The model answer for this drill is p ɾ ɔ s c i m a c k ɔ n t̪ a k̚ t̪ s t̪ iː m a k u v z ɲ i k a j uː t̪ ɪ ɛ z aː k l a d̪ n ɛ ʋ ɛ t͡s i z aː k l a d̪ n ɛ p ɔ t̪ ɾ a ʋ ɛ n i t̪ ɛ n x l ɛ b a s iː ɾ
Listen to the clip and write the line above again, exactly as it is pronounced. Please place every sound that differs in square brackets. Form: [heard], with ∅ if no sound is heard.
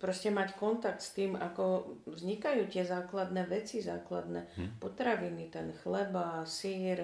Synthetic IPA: p ɾ ɔ s c [ɛ] m a c k ɔ n t̪ a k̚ t̪ s t̪ iː m a k [ɔ] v z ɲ i k a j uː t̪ ɪ ɛ z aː k l a d̪ n ɛ ʋ ɛ t͡s i z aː k l a d̪ n ɛ p ɔ t̪ ɾ a ʋ [i] n i t̪ ɛ n x l ɛ b a s iː ɾ